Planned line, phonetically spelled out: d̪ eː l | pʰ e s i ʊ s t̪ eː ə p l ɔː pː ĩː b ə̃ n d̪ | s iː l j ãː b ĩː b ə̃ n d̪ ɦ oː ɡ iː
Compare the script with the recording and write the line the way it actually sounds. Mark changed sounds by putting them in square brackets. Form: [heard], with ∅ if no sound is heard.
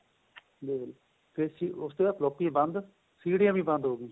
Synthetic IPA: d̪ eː l | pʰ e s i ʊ s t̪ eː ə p l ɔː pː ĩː b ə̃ n d̪ | s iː [ɽ] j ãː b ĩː b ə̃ n d̪ ɦ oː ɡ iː